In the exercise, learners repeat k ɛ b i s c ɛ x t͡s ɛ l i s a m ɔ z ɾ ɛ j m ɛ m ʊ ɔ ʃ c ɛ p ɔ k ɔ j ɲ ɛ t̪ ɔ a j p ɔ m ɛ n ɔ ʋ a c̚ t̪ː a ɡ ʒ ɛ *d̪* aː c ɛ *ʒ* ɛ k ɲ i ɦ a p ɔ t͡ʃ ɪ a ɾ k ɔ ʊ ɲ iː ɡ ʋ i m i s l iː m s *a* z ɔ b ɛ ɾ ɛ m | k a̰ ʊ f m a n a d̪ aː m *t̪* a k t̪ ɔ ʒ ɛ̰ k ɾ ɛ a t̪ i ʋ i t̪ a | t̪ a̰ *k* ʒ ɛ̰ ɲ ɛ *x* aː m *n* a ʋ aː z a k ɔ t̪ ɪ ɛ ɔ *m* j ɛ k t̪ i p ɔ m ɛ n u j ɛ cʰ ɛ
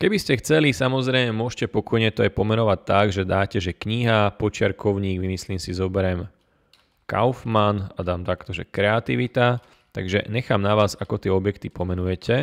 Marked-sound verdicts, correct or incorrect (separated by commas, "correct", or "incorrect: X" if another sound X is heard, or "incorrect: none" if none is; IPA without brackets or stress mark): correct, correct, incorrect: i, correct, incorrect: ɡ, correct, correct, incorrect: b